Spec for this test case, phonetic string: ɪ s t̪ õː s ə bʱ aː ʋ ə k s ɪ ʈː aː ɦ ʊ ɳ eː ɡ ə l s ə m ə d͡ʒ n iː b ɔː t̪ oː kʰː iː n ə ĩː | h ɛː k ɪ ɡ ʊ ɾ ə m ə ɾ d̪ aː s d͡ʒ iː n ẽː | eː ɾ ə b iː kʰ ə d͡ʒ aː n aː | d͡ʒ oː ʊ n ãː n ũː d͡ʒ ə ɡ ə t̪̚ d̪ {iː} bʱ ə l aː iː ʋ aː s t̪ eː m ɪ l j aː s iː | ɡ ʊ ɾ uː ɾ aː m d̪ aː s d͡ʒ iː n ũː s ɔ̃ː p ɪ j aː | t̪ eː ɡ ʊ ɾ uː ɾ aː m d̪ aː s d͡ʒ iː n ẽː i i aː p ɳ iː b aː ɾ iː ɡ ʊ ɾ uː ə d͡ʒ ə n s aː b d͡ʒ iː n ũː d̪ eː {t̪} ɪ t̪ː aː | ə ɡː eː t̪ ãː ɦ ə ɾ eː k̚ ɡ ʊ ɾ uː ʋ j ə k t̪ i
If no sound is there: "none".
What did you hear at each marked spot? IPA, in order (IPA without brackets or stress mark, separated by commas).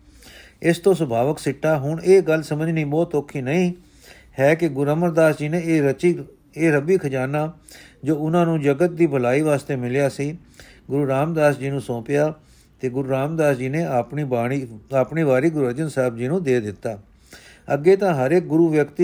iː, d̪